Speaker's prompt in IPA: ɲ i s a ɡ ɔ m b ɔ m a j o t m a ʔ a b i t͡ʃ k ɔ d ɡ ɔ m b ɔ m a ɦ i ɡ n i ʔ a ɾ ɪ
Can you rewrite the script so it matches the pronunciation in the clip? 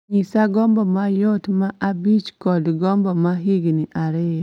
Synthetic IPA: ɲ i s a ɡ ɔ m b ɔ m a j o t m a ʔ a b i t͡ʃ k ɔ d ɡ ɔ m b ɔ m a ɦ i ɡ n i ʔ a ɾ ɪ